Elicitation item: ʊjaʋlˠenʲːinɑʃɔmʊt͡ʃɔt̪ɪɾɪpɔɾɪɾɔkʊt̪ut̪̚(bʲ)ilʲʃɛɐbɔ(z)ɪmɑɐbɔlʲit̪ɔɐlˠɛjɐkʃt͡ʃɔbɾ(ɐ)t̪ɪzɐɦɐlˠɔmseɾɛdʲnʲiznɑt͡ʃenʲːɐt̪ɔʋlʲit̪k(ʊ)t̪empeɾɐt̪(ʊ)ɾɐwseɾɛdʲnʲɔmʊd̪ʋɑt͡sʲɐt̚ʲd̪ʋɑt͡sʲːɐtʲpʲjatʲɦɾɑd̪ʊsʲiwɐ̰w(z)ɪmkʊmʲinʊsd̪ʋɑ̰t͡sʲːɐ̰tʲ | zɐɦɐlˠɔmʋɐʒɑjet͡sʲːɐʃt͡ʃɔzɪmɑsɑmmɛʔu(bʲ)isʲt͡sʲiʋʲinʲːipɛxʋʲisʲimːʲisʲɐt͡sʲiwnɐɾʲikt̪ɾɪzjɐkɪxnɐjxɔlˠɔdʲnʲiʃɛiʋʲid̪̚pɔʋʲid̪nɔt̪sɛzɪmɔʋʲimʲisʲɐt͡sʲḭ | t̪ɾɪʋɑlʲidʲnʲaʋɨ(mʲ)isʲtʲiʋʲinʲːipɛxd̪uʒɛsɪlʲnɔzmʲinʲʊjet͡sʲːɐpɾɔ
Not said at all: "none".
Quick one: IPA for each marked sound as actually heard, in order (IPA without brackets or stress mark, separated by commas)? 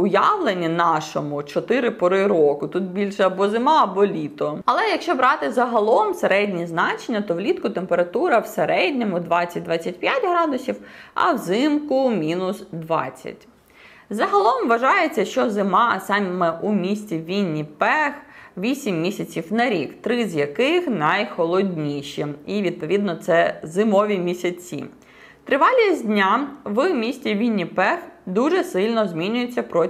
bʲ, z, ɑ, ʊ, u, z, mʲ, mʲ